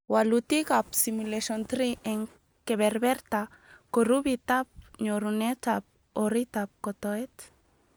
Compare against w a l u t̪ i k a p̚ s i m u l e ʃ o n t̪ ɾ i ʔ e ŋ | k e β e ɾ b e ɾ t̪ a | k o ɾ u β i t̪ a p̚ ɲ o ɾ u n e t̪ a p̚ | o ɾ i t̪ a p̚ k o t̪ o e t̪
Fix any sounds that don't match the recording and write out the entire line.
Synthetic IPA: w a l u t̪ i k a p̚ s i m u l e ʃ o n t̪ ɾ i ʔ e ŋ | k e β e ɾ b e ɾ t̪ a | k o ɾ u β i t̪ a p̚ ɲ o ɾ u n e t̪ a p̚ | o ɾ i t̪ a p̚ k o t̪ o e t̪